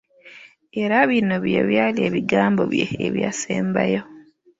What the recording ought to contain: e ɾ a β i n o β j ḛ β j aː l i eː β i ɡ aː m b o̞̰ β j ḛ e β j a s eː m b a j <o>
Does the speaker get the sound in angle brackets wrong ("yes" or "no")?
no